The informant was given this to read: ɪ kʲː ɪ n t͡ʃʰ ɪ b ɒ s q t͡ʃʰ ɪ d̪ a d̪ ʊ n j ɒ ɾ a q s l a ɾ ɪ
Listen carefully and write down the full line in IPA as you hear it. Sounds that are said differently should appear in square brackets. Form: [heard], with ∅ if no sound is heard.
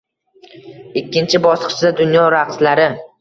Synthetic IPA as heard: ɪ kʲː ɪ n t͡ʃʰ ɪ b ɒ s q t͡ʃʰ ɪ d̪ a d̪ ʊ n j ɒ ɾ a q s l a ɾ ɪ